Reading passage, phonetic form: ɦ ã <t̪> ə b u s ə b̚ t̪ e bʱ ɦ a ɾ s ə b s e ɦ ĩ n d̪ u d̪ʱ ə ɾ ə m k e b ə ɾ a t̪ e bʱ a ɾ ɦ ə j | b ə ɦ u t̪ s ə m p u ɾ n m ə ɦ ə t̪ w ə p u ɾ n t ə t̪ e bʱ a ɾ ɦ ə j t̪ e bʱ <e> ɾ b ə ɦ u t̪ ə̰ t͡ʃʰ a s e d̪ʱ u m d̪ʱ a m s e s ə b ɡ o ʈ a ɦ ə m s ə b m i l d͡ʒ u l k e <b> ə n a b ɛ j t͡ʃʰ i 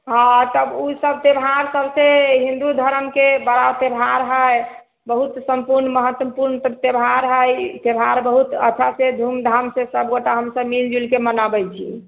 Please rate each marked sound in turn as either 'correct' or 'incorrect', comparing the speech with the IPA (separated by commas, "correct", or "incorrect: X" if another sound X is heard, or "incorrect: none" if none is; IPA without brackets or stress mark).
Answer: correct, incorrect: a, incorrect: m